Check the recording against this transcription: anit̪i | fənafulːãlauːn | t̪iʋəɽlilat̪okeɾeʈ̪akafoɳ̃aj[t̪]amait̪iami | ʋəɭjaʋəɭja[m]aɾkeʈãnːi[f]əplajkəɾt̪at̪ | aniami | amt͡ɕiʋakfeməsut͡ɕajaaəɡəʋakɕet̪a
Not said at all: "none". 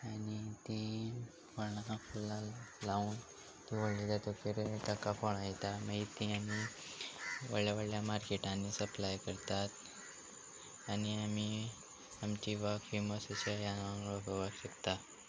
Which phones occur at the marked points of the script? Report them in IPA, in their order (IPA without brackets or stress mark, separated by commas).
t̪, m, s